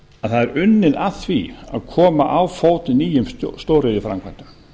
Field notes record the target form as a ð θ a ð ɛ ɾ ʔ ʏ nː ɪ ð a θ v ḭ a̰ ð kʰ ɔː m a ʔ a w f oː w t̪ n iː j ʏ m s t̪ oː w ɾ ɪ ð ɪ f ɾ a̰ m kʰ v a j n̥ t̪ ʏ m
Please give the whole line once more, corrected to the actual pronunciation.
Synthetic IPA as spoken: a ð θ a ð ɛ ɾ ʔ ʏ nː ɪ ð a θ v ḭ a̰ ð kʰ ɔː m a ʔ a w f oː w t̪ n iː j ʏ m s t̪ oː w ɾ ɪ ð ɪ f ɾ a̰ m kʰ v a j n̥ t̪ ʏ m